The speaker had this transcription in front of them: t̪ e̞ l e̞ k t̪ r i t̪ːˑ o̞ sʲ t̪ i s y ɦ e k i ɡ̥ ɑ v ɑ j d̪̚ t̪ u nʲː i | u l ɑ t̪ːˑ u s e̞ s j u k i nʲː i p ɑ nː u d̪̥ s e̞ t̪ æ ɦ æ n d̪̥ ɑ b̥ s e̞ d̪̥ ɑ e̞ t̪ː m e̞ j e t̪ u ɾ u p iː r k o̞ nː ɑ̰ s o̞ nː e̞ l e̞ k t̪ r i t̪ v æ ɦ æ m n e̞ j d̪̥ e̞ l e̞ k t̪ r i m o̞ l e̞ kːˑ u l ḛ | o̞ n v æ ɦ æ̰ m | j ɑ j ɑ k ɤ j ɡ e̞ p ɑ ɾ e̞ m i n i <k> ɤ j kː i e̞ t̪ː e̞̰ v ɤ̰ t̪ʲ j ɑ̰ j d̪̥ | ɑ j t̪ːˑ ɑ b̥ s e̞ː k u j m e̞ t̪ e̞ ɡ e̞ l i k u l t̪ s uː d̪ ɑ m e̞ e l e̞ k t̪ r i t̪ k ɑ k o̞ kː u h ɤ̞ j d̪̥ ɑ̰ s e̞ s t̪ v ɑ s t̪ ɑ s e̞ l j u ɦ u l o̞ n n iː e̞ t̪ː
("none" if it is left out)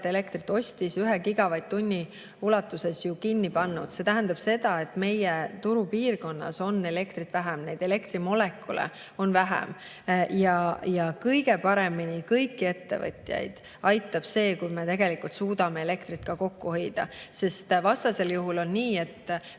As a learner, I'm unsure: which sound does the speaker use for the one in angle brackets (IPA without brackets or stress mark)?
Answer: k